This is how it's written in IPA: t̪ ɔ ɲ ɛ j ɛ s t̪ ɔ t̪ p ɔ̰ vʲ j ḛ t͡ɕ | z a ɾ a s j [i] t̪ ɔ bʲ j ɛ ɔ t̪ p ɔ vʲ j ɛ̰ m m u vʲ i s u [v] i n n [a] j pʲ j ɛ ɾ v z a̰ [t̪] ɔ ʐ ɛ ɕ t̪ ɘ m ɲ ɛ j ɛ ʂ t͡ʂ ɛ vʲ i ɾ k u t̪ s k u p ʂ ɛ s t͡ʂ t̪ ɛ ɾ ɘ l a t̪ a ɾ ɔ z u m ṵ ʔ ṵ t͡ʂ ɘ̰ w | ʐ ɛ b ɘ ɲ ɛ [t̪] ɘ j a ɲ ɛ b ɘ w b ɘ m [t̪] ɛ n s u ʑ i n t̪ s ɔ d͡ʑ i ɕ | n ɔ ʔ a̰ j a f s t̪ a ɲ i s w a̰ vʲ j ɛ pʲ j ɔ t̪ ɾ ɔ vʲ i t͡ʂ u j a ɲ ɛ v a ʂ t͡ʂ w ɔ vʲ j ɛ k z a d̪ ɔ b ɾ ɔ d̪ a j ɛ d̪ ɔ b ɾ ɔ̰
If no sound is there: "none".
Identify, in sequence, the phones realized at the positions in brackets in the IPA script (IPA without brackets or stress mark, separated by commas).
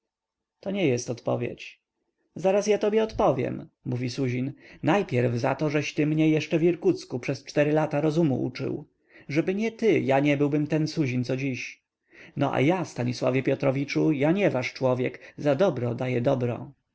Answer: a, ʑ, a, t̪, t̪, t̪